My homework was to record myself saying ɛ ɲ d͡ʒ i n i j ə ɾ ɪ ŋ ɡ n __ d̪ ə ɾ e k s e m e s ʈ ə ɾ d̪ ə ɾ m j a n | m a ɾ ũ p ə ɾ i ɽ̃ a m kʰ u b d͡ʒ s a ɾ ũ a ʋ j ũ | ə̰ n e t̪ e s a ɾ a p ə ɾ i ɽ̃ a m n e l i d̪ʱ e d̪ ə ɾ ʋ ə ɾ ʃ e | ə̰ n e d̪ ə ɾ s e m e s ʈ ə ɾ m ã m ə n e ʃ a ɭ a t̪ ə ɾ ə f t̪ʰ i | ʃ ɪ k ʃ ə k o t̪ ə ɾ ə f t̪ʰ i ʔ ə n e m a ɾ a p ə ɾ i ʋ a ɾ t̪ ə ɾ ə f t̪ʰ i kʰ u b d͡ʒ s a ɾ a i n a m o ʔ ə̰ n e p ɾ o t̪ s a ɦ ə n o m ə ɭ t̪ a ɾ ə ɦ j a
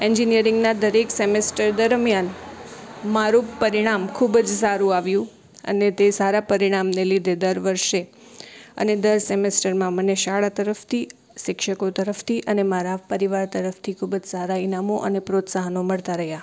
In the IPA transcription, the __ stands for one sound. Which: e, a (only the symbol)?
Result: a